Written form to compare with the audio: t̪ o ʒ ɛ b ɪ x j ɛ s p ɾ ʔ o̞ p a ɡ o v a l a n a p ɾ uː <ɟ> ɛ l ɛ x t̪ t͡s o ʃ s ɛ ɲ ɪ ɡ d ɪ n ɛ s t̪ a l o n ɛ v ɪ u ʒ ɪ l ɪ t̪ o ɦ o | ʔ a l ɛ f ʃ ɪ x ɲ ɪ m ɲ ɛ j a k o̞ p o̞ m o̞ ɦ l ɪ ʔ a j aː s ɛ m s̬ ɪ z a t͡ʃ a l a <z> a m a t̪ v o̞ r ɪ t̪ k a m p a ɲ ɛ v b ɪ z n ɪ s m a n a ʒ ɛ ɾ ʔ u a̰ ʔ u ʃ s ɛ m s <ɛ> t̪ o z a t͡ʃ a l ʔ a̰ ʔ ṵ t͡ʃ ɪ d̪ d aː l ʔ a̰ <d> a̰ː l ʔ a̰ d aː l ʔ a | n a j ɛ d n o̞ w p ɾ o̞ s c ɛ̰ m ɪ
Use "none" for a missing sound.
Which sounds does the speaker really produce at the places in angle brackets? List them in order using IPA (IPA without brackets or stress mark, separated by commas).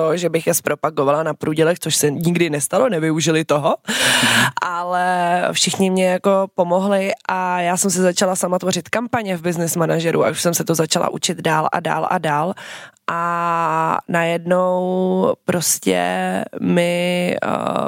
ɟ, s, ɛ, d